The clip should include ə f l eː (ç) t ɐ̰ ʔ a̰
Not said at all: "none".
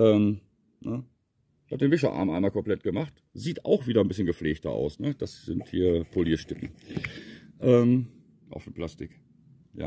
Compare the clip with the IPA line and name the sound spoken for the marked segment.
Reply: ç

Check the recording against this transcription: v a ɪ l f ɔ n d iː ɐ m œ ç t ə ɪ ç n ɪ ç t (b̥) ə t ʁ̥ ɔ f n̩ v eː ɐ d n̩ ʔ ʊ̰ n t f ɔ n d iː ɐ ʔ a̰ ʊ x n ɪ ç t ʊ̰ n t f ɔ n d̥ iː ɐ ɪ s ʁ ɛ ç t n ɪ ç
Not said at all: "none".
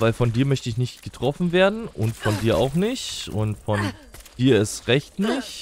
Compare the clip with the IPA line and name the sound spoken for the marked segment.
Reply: ɡ̥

